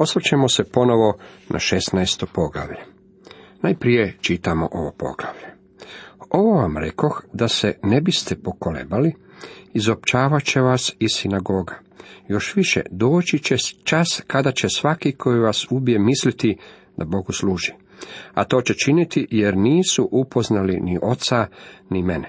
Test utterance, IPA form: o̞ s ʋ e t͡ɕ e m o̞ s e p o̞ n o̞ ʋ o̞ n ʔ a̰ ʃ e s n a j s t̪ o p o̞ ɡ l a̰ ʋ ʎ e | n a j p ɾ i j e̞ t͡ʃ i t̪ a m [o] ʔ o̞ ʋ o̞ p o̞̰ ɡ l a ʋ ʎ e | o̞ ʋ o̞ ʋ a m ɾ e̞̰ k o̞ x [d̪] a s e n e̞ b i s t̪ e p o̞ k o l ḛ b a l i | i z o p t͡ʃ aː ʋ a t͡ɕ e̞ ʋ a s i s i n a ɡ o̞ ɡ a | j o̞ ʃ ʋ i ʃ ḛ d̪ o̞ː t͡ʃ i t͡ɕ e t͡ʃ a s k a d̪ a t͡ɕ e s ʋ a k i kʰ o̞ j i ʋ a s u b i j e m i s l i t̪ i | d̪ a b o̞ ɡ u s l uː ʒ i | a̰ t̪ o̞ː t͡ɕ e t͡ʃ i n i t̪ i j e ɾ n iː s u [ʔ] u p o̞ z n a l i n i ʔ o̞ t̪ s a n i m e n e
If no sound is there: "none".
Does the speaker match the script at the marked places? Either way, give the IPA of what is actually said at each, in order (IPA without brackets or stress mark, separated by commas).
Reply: o, d̪, ʔ